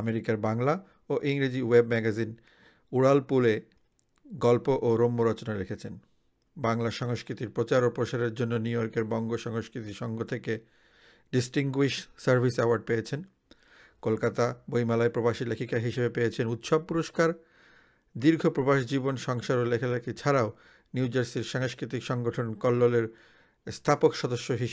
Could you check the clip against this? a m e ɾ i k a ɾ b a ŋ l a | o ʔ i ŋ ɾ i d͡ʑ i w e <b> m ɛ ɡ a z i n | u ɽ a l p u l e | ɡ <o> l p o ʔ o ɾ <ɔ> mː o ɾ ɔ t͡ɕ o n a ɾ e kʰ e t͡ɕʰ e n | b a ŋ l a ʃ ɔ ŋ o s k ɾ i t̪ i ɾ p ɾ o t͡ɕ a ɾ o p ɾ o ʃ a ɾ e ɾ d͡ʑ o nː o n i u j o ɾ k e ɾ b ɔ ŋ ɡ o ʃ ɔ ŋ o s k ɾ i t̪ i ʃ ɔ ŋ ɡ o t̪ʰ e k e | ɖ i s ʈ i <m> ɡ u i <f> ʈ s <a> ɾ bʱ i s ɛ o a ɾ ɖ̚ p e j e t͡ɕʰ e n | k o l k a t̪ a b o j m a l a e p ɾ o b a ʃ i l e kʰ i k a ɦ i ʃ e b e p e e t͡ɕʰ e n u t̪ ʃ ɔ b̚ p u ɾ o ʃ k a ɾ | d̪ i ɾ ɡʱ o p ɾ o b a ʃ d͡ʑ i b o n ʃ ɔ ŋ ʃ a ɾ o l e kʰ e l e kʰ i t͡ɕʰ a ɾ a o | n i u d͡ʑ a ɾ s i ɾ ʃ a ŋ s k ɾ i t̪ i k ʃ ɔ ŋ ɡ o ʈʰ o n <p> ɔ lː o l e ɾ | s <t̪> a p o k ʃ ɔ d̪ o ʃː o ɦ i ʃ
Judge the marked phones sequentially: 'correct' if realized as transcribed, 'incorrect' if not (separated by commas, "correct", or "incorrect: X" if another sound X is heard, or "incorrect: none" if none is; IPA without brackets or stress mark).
correct, incorrect: ɔ, incorrect: o, incorrect: ŋ, incorrect: ʃ, correct, incorrect: k, incorrect: t̪ʰ